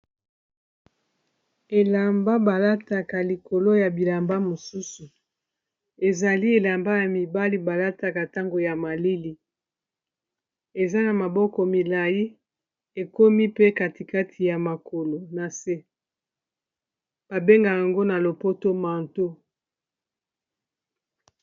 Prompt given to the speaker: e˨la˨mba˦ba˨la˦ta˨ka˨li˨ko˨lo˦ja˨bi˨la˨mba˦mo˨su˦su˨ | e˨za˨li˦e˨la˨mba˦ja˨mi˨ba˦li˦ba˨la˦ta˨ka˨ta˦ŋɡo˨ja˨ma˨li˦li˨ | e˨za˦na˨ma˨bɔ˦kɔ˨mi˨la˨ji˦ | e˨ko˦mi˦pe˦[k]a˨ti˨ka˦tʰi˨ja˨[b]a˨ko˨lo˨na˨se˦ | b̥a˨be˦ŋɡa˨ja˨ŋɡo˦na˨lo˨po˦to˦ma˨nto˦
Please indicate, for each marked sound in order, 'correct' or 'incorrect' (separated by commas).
correct, incorrect